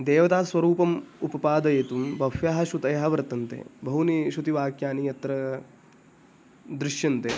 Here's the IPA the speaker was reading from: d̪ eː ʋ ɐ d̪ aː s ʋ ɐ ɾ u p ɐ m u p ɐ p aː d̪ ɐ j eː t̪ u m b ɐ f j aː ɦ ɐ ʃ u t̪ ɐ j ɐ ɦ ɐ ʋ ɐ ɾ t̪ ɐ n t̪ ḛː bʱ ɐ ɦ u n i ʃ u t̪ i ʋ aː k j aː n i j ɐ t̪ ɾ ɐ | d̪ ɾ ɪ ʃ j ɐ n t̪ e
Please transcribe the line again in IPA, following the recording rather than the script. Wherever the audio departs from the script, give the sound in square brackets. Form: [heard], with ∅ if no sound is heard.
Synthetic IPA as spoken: d̪ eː ʋ ɐ [t̪] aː s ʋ ɐ ɾ [uː] p ɐ m u p ɐ p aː d̪ ɐ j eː t̪ u m b ɐ f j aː ɦ ɐ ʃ u t̪ ɐ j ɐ ɦ ɐ ʋ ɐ ɾ t̪ ɐ n t̪ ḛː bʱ ɐ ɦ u n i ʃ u t̪ i ʋ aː k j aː n i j ɐ t̪ ɾ ɐ | d̪ ɾ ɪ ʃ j ɐ n t̪ e